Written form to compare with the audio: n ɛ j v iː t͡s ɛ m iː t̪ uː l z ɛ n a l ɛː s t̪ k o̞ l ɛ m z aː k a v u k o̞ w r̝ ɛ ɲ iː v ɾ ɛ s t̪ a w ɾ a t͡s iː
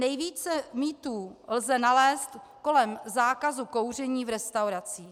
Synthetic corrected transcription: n ɛ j v iː t͡s ɛ m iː t̪ uː l z ɛ n a l ɛː s t̪ k o̞ l ɛ m z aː k a z u k o̞ w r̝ ɛ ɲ iː v ɾ ɛ s t̪ a w ɾ a t͡s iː